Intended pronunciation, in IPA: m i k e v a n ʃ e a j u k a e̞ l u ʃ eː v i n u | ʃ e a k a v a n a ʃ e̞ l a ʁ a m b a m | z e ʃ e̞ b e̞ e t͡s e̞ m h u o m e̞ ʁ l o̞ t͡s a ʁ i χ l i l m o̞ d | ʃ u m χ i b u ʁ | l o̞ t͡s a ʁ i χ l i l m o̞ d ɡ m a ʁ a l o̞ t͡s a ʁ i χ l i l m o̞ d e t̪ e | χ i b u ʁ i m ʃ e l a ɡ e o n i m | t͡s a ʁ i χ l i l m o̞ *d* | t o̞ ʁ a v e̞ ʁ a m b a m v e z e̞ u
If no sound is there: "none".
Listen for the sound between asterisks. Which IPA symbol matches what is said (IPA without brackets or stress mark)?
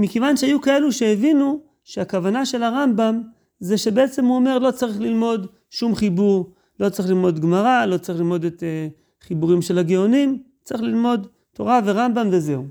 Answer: d